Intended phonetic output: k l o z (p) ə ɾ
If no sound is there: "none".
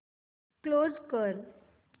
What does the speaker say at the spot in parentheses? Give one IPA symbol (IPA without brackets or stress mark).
k